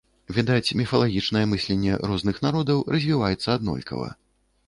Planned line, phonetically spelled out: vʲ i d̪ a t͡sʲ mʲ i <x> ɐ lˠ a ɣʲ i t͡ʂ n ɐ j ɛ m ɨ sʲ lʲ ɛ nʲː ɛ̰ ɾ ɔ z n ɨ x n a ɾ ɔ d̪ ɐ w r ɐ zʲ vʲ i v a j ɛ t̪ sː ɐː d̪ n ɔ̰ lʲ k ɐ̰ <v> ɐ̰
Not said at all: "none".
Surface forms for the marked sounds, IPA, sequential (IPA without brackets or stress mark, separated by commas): f, v